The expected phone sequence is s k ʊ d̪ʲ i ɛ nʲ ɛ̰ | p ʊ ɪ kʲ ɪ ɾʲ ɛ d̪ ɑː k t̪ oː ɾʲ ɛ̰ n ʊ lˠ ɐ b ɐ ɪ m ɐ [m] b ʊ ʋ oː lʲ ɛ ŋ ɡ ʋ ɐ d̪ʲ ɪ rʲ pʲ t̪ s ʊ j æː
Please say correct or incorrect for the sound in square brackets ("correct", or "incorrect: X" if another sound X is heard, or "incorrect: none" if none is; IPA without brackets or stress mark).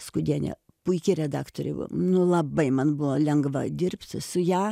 incorrect: n